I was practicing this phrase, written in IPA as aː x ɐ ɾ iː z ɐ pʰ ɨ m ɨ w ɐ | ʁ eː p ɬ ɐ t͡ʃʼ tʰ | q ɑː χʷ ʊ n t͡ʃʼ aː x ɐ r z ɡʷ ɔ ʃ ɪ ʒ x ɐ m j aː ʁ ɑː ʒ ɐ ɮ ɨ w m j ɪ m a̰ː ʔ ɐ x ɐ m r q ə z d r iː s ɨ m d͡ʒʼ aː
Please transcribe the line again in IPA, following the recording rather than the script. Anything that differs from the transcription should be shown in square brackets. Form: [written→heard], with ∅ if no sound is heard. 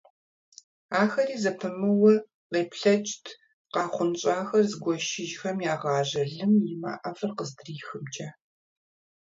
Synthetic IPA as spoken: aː x ɐ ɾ iː z ɐ pʰ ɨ m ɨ w ɐ | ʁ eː p ɬ ɐ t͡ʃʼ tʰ | q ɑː χʷ ʊ n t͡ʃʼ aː x ɐ r z ɡʷ ɔ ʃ ɪ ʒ x ɐ m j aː ʁ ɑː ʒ ɐ ɮ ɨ [w→∅] m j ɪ m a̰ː ʔ ɐ [x→f] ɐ [m→∅] r q ə z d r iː [s→x] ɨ m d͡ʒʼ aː